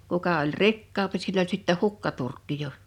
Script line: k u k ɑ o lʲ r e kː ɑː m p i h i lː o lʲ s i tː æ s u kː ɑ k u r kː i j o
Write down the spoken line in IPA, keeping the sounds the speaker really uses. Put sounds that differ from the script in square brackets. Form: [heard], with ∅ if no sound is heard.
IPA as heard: k u k ɑ o lʲ r [i] kː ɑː m p i [s] i lː o lʲ s i tː æ [h] u kː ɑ [t] u r kː i j o